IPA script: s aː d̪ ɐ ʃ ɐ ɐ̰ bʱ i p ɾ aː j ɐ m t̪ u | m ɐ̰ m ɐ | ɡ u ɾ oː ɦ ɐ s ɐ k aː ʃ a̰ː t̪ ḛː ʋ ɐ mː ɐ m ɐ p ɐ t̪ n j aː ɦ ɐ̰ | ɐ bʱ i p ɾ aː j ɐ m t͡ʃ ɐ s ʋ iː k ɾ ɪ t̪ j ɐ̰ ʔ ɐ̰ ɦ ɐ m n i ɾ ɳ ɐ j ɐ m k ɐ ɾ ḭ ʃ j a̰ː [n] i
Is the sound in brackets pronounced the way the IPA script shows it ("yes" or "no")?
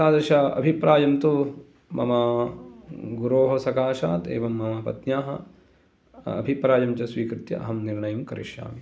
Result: no